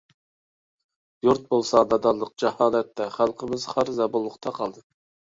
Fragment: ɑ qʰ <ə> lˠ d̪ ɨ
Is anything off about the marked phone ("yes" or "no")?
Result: yes